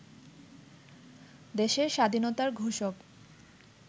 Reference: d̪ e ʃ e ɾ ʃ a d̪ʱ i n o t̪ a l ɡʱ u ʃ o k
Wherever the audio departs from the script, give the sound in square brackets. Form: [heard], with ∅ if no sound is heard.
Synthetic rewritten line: d̪ e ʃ e ɾ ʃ a d̪ʱ i n o t̪ a [ɾ] ɡʱ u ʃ o k